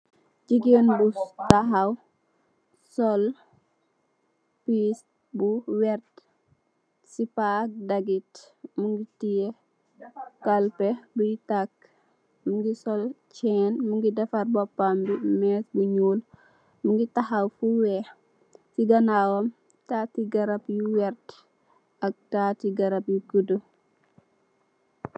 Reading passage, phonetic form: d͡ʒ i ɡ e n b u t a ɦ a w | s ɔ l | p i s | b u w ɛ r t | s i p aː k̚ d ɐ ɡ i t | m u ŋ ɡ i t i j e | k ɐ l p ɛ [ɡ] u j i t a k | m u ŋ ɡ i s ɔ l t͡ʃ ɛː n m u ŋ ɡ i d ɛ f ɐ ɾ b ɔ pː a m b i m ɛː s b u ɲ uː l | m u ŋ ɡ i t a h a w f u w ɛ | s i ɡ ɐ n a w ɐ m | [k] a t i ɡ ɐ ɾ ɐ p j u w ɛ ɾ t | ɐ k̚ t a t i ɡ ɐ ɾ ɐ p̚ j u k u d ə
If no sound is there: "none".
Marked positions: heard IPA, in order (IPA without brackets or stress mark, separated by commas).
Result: b, t